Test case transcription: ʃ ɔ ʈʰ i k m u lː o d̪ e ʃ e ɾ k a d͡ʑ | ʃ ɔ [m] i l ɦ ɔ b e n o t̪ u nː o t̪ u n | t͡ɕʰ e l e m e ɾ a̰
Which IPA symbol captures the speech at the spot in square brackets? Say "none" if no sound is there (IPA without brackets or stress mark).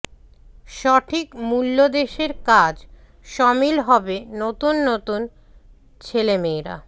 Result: m